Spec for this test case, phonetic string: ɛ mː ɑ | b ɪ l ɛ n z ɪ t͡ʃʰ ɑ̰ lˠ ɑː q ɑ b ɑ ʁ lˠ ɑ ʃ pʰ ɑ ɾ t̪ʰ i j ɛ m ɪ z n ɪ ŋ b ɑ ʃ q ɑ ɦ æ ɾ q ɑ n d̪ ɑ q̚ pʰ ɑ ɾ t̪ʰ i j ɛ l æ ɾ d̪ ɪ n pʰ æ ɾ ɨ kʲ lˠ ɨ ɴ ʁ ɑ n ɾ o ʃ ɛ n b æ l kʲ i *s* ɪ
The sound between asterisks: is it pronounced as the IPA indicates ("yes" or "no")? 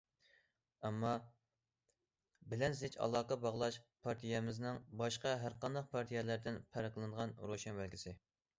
yes